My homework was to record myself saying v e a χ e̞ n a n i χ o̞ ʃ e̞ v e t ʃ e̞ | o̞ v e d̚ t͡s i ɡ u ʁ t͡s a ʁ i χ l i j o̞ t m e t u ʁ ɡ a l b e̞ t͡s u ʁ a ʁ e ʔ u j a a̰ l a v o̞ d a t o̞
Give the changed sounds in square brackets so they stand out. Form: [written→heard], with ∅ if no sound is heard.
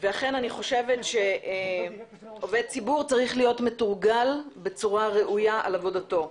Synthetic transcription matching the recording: v e a χ e̞ n a n i χ o̞ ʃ e̞ v e t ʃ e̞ | o̞ v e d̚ t͡s i [ɡ→b] u ʁ t͡s a ʁ i χ l i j o̞ t m e t u ʁ ɡ a l b e̞ t͡s u ʁ a ʁ e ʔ u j a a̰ l a v o̞ d a t o̞